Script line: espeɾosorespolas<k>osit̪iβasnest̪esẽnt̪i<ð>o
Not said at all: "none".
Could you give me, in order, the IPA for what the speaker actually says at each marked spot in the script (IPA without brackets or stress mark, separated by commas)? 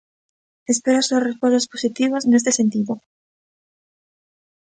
p, ð